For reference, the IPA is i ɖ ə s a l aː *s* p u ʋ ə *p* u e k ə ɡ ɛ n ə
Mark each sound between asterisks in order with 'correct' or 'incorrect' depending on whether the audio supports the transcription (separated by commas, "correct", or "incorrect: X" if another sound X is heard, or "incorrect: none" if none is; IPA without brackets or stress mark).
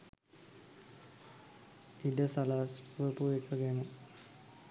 correct, correct